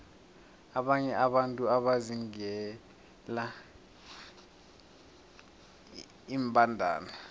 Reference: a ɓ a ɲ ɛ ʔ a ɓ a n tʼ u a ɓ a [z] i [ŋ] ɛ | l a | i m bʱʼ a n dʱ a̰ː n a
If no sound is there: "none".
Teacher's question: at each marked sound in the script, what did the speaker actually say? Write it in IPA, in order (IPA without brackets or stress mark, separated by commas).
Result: z, ŋ